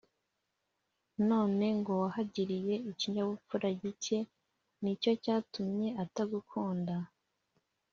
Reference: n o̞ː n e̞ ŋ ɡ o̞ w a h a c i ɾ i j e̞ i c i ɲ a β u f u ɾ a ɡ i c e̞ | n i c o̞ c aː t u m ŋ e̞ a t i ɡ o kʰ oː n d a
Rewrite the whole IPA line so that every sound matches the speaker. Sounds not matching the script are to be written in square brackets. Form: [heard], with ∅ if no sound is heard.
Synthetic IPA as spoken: n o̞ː n e̞ ŋ ɡ o̞ w a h a [ɟ] i ɾ i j e̞ i c i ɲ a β u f u ɾ a [ɟ] i c e̞ | n i c o̞ c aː t u m [ɲ] e̞ a t [a] ɡ [u] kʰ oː n d a